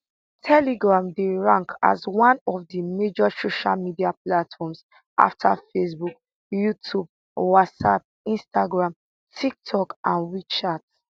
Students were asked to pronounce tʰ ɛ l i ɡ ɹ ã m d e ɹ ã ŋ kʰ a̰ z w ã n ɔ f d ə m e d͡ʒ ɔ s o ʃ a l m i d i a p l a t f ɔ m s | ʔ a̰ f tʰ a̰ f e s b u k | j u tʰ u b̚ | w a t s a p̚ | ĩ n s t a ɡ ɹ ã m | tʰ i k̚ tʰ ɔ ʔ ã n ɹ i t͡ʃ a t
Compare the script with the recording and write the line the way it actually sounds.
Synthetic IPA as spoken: tʰ ɛ l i ɡ ɹ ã m d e ɹ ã ŋ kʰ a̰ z w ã n ɔ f d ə m e d͡ʒ ɔ s o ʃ a l m i d i a p l a t f ɔ m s | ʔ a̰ f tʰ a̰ f e s b u k | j u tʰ u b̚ | w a t s a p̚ | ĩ n s t a ɡ ɹ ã m | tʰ i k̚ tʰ ɔ k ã n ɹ i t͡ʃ a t